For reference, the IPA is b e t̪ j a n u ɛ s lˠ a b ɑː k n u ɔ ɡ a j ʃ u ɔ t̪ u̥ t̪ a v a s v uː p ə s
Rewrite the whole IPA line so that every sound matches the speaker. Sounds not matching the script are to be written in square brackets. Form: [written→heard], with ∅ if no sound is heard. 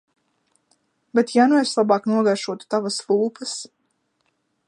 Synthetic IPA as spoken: b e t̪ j a n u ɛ s lˠ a b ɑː k n u ɔ ɡ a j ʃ u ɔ t̪ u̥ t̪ a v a s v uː p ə s